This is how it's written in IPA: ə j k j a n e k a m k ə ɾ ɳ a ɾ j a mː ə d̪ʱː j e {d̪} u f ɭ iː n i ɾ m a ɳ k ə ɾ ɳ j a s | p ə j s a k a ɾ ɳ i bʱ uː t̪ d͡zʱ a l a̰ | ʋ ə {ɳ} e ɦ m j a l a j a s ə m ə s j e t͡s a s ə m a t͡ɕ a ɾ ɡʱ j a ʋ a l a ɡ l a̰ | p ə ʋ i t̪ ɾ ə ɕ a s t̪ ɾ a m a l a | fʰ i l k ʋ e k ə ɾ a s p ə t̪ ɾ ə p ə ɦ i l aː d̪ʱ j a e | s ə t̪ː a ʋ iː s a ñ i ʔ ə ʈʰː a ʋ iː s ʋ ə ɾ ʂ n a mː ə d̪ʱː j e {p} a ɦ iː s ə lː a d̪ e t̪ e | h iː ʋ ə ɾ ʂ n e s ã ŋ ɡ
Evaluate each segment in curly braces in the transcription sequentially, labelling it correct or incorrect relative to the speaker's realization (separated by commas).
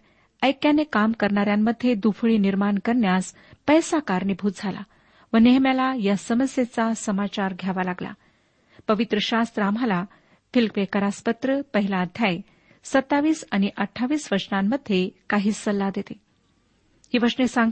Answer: correct, incorrect, incorrect